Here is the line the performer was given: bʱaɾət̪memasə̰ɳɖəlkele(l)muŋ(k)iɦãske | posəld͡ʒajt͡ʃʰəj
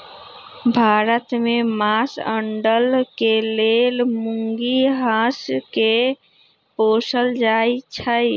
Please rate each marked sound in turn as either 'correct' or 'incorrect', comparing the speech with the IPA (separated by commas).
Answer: correct, incorrect